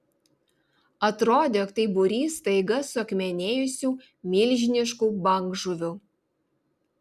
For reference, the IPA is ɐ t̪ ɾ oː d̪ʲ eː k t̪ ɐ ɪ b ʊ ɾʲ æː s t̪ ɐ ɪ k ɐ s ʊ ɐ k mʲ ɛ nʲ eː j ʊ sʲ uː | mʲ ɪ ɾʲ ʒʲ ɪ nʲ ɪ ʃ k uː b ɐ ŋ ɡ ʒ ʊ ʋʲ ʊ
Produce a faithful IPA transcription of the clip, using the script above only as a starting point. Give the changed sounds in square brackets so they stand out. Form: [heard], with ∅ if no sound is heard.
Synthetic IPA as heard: ɐ t̪ ɾ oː d̪ʲ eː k t̪ ɐ ɪ b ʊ ɾʲ [iː] s t̪ ɐ ɪ [ɡ] ɐ s ʊ ɐ k mʲ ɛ nʲ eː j ʊ sʲ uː | mʲ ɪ [lʲ] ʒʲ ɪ nʲ ɪ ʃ k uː b ɐ ŋ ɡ ʒ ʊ ʋʲ ʊ